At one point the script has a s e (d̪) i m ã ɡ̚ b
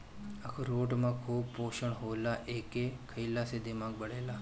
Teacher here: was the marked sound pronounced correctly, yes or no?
yes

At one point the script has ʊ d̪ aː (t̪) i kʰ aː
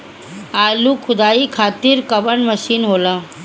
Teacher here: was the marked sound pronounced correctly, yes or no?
no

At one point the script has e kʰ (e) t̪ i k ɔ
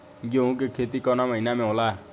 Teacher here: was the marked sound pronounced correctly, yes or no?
yes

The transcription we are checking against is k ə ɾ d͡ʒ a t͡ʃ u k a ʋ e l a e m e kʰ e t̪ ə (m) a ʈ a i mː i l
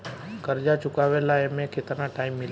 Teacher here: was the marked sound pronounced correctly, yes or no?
no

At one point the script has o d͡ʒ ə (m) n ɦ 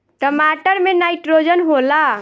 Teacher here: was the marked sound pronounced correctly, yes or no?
no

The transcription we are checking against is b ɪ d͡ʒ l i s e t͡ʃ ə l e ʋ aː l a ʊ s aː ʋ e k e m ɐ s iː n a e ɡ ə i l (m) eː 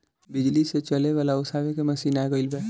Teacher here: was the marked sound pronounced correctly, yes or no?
no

